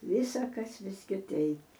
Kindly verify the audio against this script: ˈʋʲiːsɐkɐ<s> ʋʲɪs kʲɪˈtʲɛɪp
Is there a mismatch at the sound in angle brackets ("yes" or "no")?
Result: no